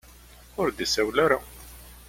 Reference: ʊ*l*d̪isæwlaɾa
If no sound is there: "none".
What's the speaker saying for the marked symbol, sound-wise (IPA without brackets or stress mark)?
ɾ